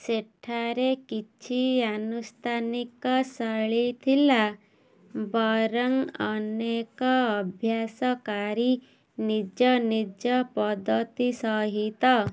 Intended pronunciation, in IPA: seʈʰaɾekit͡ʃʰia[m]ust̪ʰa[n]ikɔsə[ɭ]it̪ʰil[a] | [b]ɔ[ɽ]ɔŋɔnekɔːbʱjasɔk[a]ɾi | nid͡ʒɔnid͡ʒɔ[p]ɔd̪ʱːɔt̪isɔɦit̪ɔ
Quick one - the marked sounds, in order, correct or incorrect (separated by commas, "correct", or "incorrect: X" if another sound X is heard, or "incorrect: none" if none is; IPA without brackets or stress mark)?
incorrect: n, correct, correct, correct, correct, incorrect: ɾ, correct, correct